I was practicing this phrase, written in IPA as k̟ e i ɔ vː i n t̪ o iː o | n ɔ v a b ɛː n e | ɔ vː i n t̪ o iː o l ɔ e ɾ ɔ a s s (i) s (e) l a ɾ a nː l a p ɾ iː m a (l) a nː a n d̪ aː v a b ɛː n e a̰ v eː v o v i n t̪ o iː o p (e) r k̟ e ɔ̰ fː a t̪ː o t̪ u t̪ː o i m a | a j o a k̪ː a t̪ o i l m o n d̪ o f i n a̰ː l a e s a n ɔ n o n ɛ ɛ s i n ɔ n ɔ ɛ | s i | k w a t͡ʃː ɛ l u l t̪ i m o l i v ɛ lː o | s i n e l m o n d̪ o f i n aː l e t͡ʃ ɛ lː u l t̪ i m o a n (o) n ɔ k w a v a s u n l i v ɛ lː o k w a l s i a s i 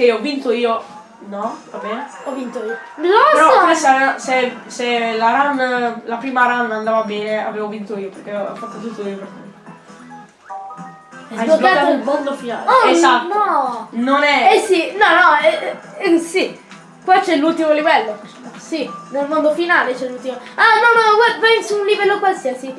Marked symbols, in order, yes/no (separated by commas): no, yes, no, yes, no